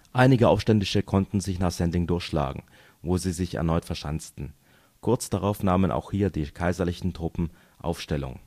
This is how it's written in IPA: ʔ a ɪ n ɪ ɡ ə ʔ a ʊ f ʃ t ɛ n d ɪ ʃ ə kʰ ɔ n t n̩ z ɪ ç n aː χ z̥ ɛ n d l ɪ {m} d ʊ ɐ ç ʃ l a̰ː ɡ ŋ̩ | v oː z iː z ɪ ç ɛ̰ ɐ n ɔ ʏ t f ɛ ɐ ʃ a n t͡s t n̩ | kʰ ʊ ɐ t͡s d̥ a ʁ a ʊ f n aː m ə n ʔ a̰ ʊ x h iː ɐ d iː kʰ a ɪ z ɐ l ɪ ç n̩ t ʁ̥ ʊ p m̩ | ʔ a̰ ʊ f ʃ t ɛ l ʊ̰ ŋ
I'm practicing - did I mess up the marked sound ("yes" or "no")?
yes